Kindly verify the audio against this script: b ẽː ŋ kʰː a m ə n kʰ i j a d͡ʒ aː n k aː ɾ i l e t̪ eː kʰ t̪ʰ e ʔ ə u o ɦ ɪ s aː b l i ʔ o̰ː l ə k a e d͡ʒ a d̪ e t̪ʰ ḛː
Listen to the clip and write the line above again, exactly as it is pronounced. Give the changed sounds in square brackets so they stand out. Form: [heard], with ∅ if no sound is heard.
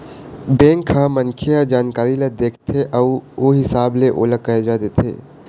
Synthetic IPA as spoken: b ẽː ŋ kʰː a m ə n kʰ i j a d͡ʒ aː n k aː ɾ i l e [d̪] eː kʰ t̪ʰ e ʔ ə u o ɦ ɪ s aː b l [e] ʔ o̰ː l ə k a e d͡ʒ a d̪ e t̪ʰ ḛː